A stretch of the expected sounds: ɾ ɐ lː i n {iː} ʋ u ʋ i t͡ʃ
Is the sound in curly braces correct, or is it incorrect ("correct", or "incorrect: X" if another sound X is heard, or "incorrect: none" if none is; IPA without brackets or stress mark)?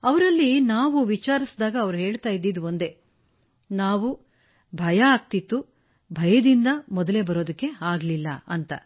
incorrect: aː